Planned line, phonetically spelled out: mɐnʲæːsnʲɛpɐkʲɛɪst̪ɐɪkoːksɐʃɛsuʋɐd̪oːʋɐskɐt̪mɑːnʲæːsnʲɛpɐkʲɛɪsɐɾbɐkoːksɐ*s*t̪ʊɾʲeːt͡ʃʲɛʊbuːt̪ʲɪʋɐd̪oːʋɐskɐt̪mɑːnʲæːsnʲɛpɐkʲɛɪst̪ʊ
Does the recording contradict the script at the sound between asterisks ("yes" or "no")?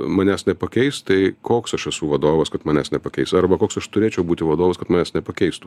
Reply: yes